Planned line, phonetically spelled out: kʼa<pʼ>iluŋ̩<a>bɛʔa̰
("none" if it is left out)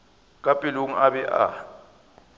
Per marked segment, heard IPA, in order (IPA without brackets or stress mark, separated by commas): pʼ, a